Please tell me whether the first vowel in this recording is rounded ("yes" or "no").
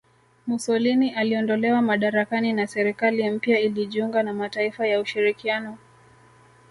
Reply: yes